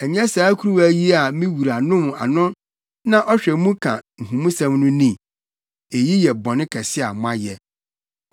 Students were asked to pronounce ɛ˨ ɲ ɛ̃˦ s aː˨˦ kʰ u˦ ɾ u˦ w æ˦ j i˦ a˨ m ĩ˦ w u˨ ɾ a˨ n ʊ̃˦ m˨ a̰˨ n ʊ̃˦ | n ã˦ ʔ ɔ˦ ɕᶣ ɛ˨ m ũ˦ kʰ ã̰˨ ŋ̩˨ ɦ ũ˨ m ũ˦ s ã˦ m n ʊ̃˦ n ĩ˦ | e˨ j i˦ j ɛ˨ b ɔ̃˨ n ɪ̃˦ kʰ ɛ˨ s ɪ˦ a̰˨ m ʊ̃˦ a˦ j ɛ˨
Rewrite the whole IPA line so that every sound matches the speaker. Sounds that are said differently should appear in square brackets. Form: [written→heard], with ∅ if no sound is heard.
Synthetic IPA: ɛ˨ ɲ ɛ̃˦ s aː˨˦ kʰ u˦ ɾ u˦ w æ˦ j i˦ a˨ m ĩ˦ w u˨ ɾ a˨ n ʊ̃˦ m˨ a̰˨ n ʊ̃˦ | n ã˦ ʔ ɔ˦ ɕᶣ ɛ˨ m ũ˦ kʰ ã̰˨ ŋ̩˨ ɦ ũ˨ m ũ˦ s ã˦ m n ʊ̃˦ n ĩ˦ | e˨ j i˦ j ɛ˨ b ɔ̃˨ n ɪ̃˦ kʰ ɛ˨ s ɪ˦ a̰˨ m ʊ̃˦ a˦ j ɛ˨